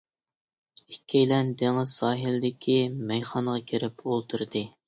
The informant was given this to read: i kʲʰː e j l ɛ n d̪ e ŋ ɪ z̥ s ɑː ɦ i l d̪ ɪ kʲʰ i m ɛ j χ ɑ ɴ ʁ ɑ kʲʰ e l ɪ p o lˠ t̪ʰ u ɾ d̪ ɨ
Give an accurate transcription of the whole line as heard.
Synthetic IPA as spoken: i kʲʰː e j l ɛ n d̪ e ŋ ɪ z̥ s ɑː ɦ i l d̪ ɪ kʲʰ i m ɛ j χ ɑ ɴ ʁ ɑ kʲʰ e ɾ ɪ p o lˠ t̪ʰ u ɾ d̪ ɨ